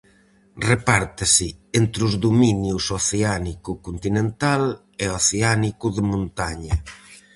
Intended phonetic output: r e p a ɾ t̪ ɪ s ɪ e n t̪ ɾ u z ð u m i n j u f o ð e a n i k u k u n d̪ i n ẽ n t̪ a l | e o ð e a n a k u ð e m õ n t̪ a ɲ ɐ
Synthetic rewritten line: r e p a ɾ t̪ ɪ s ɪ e n t̪ ɾ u z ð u m i n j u s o θ e a n i k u k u n t̪ i n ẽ n t̪ a l | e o θ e a n i k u ð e m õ n t̪ a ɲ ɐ